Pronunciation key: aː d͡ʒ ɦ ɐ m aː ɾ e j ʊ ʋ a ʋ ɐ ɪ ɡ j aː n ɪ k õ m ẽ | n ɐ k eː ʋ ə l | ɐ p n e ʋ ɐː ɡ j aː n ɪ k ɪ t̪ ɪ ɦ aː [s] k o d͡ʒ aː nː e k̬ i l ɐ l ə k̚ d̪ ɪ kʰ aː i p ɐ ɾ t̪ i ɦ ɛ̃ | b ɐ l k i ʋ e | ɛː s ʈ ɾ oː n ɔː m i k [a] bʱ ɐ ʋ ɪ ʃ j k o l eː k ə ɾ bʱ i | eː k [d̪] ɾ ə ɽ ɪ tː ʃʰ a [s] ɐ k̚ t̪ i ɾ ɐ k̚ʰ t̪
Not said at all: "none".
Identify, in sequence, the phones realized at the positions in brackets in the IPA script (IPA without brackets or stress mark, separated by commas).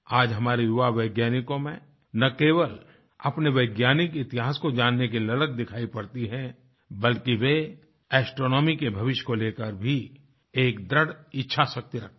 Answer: s, e, d̪, s